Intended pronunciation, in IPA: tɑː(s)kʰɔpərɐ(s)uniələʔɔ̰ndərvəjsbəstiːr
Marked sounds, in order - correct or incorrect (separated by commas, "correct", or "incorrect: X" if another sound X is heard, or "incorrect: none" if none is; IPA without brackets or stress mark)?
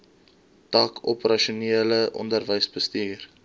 incorrect: none, incorrect: ʃ